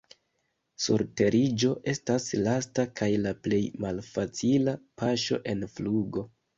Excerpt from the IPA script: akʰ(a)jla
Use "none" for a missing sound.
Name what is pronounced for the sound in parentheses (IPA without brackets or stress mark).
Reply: a